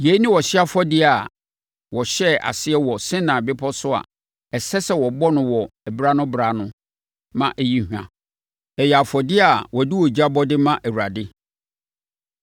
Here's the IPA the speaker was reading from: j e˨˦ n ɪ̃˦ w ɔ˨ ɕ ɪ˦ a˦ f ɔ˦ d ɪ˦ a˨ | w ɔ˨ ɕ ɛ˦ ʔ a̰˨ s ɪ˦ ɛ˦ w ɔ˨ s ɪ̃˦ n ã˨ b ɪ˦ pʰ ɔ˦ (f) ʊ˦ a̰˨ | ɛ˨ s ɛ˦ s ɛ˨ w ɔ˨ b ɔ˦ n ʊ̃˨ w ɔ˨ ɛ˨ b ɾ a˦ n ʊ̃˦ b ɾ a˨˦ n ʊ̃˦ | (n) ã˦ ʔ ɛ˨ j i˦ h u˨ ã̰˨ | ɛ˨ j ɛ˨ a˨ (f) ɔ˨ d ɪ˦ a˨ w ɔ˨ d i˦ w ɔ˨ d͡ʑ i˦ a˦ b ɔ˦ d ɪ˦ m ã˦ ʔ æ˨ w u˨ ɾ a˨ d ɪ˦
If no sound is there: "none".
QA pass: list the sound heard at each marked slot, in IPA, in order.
s, m, f

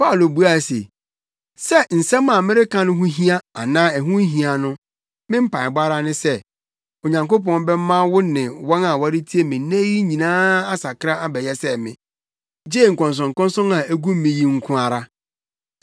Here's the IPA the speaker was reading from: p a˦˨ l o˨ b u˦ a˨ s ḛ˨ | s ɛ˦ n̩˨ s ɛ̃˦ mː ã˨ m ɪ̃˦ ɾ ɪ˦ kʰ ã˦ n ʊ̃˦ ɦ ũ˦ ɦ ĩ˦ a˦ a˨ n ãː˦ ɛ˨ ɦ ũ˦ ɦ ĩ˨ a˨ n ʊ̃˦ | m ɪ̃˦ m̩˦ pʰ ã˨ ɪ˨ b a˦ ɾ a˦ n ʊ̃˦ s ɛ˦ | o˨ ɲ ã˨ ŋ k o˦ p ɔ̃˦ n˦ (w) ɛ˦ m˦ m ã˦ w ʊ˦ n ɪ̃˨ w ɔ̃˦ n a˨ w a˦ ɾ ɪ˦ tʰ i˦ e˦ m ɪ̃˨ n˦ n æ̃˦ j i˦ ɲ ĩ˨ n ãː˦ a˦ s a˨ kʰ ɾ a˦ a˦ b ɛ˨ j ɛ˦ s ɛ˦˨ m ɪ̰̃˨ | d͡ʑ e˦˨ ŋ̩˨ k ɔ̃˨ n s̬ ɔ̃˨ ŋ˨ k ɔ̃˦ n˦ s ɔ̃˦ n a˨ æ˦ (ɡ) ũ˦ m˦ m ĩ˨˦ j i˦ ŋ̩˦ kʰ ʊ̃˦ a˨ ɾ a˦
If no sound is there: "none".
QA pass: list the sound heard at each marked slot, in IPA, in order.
b, ɡ

